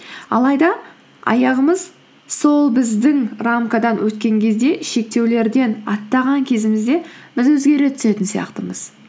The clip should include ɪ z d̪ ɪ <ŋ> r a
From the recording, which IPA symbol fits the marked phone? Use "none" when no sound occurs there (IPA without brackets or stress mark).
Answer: ŋ